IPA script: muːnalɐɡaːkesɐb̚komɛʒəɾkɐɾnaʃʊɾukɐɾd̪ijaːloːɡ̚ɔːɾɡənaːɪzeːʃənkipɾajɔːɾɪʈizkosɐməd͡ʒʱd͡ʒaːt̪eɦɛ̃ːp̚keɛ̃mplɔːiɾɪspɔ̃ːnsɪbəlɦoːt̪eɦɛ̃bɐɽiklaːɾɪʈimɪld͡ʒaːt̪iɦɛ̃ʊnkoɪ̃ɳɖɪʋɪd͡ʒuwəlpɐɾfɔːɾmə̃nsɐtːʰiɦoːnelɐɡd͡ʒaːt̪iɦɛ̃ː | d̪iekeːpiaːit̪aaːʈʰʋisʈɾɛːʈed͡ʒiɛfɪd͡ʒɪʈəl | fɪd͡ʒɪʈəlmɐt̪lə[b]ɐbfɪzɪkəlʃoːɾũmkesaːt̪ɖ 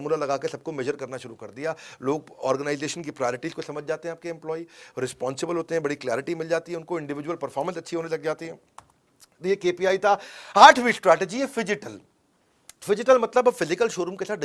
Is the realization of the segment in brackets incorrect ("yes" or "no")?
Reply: no